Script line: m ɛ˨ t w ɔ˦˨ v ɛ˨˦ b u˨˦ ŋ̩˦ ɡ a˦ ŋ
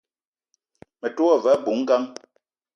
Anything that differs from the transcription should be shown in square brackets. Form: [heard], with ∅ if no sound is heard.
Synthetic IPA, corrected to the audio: m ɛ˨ t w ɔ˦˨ v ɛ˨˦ b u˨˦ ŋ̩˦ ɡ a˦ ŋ